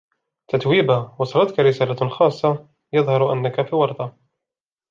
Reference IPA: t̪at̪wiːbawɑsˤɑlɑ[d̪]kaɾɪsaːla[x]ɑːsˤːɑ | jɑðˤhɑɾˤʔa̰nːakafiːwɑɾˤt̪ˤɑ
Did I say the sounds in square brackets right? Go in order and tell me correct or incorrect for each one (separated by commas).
incorrect, correct